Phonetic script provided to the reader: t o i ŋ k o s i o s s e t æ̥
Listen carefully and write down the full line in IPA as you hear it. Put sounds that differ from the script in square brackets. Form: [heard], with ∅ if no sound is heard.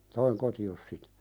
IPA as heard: t o i ŋ k o [t] i o s s [i] t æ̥